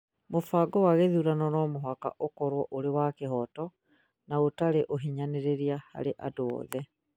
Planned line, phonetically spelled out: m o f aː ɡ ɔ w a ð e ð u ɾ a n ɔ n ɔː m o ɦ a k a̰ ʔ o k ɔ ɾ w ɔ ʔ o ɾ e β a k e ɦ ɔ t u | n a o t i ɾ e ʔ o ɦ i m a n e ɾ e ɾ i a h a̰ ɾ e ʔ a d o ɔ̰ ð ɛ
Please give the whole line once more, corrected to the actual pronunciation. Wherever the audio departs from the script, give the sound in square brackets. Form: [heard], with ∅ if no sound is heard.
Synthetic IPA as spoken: m o f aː ɡ ɔ w a [ɣ] e ð u ɾ a n ɔ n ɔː m o ɦ a k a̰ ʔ o k ɔ ɾ w ɔ ʔ o ɾ e [w] a k e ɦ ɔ t [ɔ] | n a o t [a] ɾ e ʔ o ɦ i [ɲ] a n e ɾ e ɾ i a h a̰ ɾ e ʔ a d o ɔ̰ ð ɛ

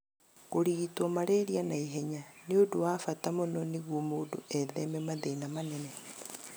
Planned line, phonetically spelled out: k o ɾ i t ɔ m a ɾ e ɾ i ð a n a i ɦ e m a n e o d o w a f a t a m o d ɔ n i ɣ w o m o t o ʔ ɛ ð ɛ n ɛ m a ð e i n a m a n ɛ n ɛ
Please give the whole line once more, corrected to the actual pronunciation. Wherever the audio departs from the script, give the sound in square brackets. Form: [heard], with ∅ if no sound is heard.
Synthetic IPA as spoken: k o ɾ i t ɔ m a ɾ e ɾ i [∅] a n a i ɦ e [ɲ] a n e o d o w a f a t a m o [n] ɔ n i ɣ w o m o [d] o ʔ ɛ ð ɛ [m] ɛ m a ð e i n a m a n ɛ n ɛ

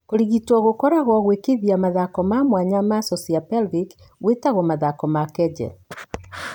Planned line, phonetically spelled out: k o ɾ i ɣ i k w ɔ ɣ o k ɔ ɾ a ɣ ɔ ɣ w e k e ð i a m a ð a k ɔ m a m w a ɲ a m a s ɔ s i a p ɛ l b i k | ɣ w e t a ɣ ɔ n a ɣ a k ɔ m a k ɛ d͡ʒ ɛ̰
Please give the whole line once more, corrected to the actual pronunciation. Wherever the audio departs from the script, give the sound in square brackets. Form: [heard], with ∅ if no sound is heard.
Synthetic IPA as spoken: k o ɾ i ɣ i [t] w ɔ ɣ o k ɔ ɾ a ɣ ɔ ɣ w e k e ð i a m a ð a k ɔ m a m w a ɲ a m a s ɔ s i a p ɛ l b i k | ɣ w e t a ɣ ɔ [m] a [ð] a k ɔ m a k ɛ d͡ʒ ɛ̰

